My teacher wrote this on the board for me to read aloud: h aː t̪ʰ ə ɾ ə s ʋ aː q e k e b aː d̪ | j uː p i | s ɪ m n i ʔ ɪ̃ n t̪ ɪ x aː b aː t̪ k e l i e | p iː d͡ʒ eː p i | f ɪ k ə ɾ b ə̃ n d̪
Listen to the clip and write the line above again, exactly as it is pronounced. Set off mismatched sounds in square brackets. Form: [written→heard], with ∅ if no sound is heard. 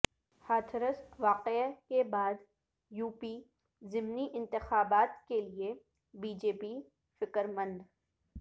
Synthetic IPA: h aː t̪ʰ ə ɾ ə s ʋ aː q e k e b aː d̪ | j uː p i | [s→z] ɪ m n i ʔ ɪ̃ n t̪ ɪ x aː b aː t̪ k e l i e | [p→b] iː d͡ʒ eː p i | f ɪ k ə ɾ [b→m] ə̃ n d̪